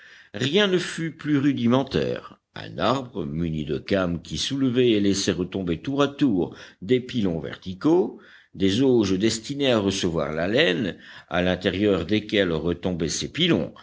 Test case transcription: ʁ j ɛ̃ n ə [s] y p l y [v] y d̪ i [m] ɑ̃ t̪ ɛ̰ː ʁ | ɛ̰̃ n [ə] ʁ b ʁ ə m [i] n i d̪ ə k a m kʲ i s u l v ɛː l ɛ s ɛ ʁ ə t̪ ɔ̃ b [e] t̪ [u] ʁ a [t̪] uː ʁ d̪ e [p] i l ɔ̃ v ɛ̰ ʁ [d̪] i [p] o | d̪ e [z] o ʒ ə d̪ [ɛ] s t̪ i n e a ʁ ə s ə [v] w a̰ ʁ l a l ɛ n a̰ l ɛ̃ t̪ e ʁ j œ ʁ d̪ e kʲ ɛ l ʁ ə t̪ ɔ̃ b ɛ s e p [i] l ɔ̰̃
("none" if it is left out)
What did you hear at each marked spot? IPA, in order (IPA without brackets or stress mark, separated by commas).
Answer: f, ʁ, m, a, y, e, u, t̪, p, t̪, k, z, ɛ, v, i